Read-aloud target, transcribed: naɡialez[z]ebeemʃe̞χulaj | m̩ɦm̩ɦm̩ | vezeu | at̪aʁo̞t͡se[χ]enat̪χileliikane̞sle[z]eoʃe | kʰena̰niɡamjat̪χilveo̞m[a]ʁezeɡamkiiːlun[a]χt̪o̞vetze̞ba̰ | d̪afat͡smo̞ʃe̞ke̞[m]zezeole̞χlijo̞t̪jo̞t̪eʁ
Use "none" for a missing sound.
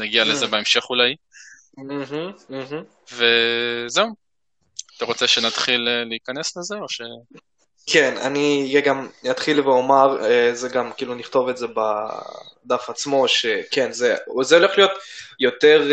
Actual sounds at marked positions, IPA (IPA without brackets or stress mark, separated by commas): z, ʃ, z, a, i, n